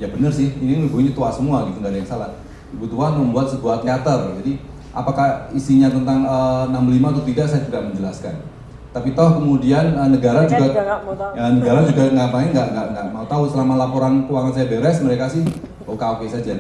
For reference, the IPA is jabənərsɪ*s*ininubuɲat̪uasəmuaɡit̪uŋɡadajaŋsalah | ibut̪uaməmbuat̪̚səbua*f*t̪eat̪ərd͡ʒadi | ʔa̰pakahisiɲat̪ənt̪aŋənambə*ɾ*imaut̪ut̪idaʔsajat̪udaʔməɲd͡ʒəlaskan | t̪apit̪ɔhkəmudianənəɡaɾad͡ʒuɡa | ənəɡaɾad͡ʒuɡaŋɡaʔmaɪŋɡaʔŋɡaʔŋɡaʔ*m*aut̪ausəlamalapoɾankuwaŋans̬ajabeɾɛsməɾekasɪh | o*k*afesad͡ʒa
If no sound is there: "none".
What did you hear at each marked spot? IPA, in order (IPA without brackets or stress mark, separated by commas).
h, h, l, m, k